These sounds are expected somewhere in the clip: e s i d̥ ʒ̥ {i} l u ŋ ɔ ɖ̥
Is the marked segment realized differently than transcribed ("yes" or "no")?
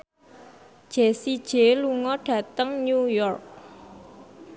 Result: yes